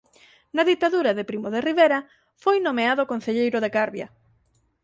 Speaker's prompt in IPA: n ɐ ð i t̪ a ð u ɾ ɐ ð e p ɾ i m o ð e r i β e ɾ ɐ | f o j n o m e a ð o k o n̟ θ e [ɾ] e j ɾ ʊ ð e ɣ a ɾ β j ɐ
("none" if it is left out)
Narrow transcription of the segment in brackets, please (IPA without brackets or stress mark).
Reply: ʎ